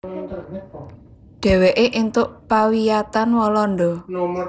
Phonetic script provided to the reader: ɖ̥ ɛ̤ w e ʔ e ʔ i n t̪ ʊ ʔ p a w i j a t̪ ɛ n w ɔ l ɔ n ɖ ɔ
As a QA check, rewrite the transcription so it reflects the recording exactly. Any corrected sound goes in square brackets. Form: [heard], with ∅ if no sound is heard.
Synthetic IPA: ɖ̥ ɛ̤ w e ʔ e ʔ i n t̪ ʊ ʔ p a w i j a t̪ [a] n w ɔ l ɔ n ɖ ɔ